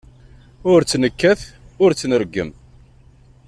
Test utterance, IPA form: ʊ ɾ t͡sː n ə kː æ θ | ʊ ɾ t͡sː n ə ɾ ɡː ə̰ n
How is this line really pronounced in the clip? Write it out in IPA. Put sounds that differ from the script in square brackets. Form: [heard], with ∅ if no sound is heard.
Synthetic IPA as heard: ʊ ɾ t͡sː n ə kː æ θ | ʊ ɾ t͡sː n ə ɾ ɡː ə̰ [m]